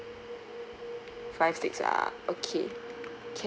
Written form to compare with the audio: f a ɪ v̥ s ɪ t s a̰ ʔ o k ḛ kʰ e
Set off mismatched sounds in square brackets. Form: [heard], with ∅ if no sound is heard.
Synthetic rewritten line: f a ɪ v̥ s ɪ [k] s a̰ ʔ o [kʰ] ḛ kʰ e